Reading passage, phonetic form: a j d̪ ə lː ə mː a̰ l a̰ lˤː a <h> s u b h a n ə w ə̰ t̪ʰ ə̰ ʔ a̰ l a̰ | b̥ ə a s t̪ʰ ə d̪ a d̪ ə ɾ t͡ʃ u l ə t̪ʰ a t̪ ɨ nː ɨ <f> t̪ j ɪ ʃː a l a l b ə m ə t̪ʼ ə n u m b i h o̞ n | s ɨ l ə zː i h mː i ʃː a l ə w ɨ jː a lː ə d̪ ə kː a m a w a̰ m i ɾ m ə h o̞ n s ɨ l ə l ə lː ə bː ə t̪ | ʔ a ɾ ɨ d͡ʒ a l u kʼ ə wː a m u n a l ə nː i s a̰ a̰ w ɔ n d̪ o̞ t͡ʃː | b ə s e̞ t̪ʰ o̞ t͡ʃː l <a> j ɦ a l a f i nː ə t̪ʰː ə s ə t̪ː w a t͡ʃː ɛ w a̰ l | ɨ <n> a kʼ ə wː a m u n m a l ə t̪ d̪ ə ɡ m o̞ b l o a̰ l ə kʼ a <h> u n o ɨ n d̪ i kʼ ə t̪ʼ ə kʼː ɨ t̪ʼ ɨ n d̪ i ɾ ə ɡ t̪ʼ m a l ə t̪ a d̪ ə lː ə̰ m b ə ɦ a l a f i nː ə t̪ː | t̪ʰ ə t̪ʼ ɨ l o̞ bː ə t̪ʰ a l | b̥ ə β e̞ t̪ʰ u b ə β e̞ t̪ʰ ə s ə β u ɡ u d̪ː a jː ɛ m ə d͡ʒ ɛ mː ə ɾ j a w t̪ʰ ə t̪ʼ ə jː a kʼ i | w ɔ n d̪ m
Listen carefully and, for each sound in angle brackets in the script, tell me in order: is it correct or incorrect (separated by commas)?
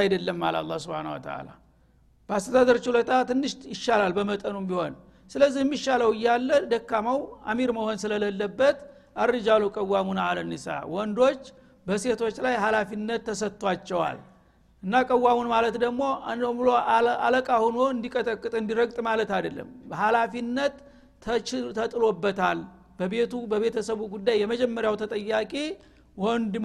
correct, incorrect, correct, incorrect, correct